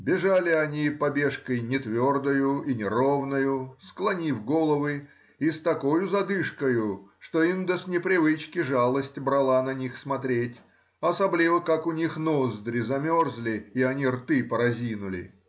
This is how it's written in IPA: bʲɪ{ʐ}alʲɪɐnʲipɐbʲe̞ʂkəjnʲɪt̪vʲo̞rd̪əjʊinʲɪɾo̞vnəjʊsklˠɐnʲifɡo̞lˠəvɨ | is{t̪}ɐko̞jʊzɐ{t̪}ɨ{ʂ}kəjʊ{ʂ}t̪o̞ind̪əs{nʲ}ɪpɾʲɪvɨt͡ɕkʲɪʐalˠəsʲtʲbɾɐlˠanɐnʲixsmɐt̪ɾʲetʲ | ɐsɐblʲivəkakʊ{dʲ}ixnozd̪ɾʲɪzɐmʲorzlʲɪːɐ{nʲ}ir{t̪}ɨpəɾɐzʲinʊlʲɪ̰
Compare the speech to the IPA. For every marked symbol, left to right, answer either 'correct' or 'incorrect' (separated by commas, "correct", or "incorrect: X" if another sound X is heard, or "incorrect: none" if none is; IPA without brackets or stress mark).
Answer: correct, correct, incorrect: d̪, correct, correct, correct, incorrect: nʲ, correct, correct